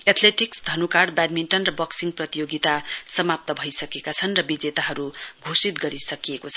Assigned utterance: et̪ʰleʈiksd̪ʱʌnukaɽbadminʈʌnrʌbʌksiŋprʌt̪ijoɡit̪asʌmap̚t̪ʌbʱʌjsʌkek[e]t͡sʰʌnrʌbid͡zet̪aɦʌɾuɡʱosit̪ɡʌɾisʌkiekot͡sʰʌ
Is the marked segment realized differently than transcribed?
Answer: yes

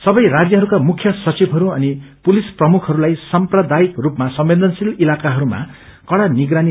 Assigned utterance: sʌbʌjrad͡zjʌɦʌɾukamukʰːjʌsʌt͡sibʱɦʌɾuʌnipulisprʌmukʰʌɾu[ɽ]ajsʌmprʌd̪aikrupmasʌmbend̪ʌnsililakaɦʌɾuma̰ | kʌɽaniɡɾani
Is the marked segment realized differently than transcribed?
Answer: yes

